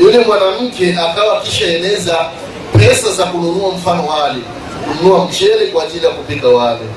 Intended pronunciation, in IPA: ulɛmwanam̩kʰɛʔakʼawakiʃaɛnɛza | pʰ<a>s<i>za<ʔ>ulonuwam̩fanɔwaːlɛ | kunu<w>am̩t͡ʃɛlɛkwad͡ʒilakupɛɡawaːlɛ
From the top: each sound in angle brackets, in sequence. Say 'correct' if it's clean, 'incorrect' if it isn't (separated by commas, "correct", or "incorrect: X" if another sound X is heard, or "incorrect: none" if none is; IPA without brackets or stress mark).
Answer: incorrect: ɛ, incorrect: a, incorrect: k, correct